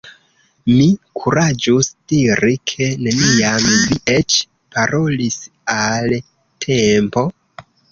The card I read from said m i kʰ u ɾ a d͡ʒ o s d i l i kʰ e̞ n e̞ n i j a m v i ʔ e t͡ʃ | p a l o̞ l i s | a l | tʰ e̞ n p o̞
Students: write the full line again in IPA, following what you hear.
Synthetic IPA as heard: m i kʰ u ɾ a d͡ʒ u s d i ɾ i kʰ e̞ n e̞ n i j a m v i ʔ e t͡ʃ | p a ɾ o̞ l i s | a l | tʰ e̞ m p o̞